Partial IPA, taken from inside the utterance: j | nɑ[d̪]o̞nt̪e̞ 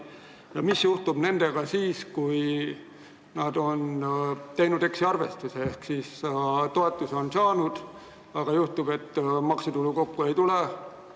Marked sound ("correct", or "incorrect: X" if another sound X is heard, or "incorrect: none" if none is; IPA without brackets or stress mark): correct